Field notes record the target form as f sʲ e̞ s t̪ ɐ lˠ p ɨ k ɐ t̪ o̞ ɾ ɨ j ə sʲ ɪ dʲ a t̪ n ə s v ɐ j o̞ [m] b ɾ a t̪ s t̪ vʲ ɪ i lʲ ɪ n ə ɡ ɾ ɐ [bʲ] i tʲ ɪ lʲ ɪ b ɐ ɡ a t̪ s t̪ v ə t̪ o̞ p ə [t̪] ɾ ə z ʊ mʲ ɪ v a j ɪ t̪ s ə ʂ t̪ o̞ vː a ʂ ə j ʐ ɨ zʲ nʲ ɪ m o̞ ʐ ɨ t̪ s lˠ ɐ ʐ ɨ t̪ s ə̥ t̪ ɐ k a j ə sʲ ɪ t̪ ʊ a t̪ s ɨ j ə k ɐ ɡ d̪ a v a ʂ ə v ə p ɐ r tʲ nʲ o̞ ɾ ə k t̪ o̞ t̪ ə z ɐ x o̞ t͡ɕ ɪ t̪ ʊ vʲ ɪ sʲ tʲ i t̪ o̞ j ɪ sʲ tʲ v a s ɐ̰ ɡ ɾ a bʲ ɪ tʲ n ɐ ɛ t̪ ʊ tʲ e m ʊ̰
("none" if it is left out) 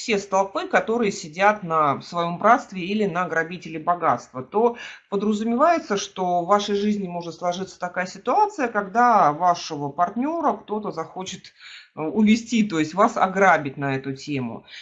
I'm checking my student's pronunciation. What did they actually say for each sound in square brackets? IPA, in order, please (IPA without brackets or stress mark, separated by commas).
m, bʲ, d̪